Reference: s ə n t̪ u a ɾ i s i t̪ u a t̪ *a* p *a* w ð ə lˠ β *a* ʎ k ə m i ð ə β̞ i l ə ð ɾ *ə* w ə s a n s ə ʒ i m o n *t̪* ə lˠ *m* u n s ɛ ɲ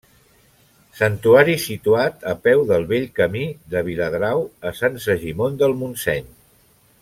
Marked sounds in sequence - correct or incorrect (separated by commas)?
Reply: incorrect, incorrect, incorrect, incorrect, incorrect, correct